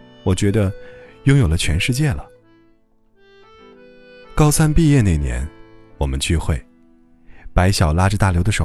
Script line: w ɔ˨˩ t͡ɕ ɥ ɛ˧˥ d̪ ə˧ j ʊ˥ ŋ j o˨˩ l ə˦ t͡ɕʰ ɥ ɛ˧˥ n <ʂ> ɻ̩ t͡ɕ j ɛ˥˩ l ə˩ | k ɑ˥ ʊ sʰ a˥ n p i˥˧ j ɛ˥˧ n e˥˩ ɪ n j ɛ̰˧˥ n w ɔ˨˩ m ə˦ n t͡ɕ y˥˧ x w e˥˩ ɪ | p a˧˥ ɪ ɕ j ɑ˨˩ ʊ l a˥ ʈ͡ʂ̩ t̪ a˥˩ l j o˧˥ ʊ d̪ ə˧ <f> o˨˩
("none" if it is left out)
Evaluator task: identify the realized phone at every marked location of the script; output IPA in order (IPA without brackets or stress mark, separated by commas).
ʂ, ʂ